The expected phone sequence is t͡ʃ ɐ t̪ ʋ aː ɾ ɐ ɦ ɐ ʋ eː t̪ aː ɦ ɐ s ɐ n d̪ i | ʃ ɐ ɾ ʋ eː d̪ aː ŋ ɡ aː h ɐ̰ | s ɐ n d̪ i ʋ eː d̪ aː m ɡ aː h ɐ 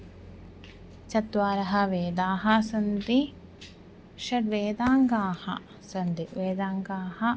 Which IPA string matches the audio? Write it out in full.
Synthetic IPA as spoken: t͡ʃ ɐ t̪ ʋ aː ɾ ɐ ɦ ɐ ʋ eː d̪ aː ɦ ɐ s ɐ n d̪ i | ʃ ɐ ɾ ʋ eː d̪ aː ŋ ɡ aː h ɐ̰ | s ɐ n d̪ i ʋ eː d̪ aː ŋ ɡ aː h ɐ